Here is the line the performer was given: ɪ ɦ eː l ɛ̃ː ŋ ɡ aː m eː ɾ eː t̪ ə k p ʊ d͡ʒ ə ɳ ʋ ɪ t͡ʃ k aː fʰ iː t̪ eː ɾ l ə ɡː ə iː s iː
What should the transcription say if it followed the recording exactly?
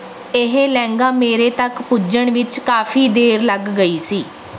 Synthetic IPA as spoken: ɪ ɦ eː l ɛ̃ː ŋ ɡ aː m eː ɾ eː t̪ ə k p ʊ d͡ʒ ə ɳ ʋ ɪ t͡ʃ k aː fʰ iː d̪ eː ɾ l ə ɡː ə iː s iː